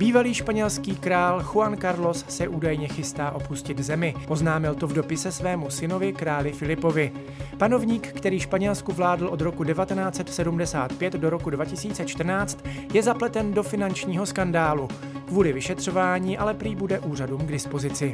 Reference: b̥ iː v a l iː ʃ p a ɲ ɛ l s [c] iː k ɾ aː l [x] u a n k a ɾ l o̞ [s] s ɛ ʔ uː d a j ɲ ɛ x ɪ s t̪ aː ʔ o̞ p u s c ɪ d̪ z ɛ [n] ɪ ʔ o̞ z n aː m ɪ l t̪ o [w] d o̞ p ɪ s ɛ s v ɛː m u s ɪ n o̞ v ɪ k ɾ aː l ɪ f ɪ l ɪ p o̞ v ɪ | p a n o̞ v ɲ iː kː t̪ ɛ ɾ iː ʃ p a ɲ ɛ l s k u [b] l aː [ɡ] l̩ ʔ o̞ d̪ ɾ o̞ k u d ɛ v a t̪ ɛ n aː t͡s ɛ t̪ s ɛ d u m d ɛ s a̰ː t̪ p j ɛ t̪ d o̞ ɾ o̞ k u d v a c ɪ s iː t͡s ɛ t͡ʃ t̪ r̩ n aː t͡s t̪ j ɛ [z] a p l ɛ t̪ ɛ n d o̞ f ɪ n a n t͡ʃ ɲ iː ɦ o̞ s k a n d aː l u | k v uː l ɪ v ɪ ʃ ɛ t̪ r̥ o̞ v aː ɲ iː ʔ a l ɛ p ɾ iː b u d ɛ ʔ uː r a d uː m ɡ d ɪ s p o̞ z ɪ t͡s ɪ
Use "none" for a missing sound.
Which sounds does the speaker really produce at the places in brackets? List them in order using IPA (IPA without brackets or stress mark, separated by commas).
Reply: k, x, s, m, v, v, d, z